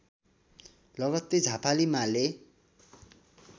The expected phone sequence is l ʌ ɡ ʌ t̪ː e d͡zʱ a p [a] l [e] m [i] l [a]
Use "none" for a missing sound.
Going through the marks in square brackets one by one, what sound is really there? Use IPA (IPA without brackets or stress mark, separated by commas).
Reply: a, i, a, e